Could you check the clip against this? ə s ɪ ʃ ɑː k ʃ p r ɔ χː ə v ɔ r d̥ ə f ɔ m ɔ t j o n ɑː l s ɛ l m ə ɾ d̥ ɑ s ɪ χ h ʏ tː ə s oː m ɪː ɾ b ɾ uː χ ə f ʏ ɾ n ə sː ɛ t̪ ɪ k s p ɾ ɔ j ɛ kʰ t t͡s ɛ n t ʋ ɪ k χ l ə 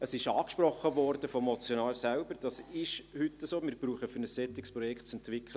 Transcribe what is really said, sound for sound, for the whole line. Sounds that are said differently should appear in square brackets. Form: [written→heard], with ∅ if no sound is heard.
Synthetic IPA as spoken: ə s ɪ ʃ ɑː k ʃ p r ɔ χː ə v ɔ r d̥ ə f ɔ m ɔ [t→t͡s] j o n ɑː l s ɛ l [m→b] ə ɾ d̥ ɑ s ɪ [χ→ʃ] h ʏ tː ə s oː m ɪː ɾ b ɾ uː χ ə f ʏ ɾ n ə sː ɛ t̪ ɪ k s p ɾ ɔ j ɛ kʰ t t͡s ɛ n t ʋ ɪ k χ l ə